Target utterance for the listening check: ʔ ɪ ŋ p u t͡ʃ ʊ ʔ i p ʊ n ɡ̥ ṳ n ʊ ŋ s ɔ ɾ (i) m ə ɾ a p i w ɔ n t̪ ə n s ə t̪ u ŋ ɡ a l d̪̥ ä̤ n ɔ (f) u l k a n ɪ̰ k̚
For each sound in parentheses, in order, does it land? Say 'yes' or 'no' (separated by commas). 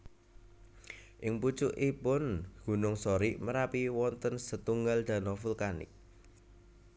yes, yes